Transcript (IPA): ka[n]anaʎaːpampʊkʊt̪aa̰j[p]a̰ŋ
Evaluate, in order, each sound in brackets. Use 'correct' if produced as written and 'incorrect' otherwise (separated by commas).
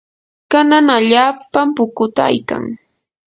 correct, incorrect